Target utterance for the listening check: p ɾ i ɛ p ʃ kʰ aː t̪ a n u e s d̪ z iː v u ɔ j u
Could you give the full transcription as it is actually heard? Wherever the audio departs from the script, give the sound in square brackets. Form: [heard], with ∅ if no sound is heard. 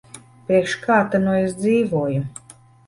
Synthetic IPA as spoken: p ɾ i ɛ [k] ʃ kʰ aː t̪ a n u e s d̪ z iː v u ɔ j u